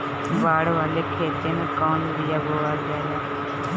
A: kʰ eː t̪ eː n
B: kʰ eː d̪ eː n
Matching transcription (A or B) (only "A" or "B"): A